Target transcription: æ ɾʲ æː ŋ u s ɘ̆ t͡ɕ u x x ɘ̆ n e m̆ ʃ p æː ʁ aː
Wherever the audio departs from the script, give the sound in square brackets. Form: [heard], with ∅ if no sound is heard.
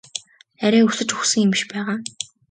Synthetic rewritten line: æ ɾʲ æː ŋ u s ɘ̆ t͡ɕ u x [s] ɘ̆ [ŋ] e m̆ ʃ p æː ʁ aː